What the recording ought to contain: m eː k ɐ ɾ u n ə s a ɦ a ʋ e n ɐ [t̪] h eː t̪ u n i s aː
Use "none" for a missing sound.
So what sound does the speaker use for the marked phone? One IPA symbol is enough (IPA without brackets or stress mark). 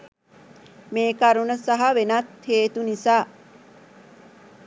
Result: t̪